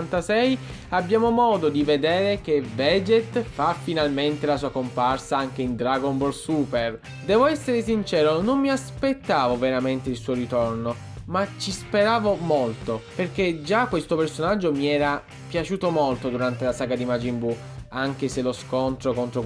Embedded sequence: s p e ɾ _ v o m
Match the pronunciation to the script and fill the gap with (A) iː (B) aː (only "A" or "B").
B